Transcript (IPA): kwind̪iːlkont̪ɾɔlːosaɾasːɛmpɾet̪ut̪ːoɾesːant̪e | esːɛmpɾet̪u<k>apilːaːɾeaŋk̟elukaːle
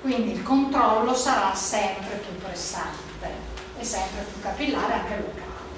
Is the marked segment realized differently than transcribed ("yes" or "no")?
no